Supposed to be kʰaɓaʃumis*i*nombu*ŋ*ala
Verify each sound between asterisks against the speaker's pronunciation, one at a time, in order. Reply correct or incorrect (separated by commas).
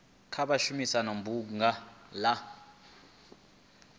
incorrect, correct